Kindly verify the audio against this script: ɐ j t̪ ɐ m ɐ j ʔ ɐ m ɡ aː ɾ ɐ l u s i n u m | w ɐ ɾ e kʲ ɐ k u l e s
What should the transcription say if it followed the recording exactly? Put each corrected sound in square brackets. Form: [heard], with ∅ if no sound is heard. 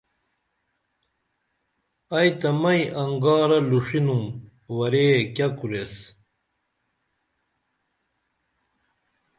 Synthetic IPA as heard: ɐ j t̪ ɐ m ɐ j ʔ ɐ [ŋ] ɡ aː ɾ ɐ l u [ʂ] i n u m | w ɐ ɾ e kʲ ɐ k u [ɾ] e s